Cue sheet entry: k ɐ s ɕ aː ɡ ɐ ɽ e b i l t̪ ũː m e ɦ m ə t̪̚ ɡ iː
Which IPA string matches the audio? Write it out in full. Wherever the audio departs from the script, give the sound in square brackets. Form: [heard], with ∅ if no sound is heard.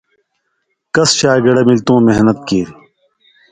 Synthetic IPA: k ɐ s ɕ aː ɡ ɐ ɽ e [m] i l t̪ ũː m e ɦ [n] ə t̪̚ [k] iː